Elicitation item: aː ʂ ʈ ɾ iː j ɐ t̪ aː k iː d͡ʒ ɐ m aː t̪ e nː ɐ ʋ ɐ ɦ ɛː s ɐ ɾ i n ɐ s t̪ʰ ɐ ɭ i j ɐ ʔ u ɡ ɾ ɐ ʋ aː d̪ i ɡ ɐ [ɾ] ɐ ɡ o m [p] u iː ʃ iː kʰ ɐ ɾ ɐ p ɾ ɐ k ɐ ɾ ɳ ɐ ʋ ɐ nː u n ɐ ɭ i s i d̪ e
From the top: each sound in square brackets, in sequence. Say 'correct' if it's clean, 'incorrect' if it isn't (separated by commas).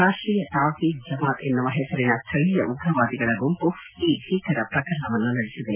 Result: incorrect, correct